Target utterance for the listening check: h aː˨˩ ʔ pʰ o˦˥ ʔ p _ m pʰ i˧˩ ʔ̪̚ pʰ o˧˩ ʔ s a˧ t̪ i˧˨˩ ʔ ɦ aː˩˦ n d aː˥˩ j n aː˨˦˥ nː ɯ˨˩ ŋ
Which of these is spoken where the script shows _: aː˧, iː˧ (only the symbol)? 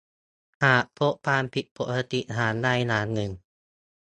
aː˧